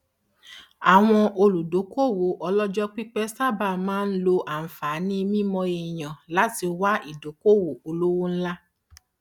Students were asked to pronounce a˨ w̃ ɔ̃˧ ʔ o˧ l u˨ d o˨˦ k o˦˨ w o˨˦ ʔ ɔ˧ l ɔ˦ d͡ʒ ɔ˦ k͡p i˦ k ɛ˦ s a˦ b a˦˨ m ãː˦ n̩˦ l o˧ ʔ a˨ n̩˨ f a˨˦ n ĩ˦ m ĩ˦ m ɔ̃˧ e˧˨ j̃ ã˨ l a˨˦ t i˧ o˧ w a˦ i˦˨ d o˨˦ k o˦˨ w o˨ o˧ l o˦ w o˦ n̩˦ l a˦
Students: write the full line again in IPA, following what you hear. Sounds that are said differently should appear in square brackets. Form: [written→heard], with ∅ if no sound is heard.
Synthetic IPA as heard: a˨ w̃ ɔ̃˧ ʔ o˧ l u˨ d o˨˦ k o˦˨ w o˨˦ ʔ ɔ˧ l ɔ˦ d͡ʒ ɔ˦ k͡p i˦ [k→k͡p] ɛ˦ s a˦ b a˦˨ m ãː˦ n̩˦ l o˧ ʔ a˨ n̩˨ f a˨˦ n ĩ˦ m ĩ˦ m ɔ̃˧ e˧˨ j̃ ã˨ l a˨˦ t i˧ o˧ w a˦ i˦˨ d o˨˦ k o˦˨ w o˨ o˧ l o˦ w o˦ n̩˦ l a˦

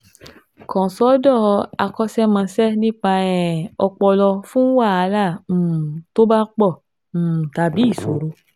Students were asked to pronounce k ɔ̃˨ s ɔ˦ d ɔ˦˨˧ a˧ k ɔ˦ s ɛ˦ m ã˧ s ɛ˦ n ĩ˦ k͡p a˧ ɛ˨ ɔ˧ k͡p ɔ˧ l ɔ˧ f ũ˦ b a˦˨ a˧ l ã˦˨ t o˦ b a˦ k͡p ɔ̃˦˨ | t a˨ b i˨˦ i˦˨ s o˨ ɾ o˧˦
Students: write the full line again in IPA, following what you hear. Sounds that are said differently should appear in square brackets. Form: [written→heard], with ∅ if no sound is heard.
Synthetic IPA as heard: k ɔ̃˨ s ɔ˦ d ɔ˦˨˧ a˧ k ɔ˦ s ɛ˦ m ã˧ s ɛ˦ n ĩ˦ k͡p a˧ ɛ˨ ɔ˧ k͡p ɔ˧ l ɔ˧ f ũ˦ [b→w] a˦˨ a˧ l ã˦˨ t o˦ b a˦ k͡p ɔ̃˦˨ | t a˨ b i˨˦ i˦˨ s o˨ ɾ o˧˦

